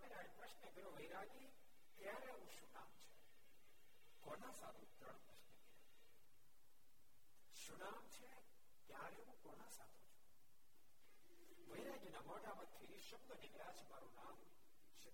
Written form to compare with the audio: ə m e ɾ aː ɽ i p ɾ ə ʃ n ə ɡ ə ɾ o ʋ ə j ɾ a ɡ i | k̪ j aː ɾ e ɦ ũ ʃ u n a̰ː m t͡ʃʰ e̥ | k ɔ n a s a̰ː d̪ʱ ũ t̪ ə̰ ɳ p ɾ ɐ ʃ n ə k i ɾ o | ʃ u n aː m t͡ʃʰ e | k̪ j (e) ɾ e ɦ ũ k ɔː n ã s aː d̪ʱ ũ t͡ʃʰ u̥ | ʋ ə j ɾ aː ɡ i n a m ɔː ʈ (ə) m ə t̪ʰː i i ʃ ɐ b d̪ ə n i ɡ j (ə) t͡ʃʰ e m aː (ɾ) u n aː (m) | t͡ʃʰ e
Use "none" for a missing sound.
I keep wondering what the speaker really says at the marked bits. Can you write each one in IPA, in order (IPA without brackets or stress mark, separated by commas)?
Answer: a, a, a, ɾ, m